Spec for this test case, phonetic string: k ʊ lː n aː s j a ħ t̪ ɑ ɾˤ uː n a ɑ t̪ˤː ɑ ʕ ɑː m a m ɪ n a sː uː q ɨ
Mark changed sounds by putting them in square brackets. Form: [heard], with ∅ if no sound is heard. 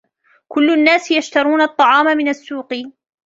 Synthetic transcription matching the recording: k ʊ lː [nː] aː s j a [ʃ] t̪ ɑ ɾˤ uː n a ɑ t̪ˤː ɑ ʕ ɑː m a m ɪ n a sː uː q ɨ